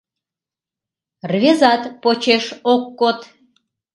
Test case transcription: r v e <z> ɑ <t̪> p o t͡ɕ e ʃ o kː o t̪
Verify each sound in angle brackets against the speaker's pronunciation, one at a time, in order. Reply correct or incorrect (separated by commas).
correct, correct